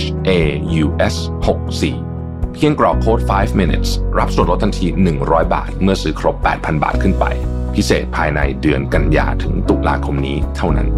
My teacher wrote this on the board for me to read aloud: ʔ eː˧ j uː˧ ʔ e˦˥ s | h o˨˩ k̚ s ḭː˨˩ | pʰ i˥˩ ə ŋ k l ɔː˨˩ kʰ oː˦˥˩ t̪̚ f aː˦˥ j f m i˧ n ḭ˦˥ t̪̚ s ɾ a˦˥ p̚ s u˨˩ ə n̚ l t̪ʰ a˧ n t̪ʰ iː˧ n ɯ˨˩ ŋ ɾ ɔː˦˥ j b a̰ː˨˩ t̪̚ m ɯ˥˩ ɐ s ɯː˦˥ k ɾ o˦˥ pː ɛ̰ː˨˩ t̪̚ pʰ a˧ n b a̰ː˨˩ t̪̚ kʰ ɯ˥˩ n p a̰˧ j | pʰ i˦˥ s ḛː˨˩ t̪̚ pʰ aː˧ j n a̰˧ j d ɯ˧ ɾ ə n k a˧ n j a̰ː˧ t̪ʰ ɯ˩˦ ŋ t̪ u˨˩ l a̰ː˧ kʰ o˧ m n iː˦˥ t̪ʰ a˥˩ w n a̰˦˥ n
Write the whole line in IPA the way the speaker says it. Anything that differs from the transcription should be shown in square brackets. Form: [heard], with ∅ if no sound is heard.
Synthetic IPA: ʔ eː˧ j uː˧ ʔ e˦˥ s | h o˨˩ k̚ s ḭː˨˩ | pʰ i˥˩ ə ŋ k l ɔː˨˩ kʰ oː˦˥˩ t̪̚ f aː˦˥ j f m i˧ n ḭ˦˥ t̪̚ s ɾ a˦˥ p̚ s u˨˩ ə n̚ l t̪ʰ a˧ n t̪ʰ iː˧ n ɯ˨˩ ŋ ɾ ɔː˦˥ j b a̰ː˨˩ t̪̚ m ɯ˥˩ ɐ s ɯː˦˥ [kʰ] ɾ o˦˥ pː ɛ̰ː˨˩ t̪̚ pʰ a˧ n b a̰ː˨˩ t̪̚ kʰ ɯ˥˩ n p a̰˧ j | pʰ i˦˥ s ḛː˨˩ t̪̚ pʰ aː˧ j n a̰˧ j d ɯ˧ [∅] ə n k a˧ n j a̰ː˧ t̪ʰ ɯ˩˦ ŋ t̪ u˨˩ l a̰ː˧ kʰ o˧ m n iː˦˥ t̪ʰ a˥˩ w n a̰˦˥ n